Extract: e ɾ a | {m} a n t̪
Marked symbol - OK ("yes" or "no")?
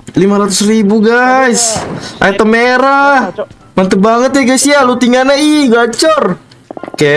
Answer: yes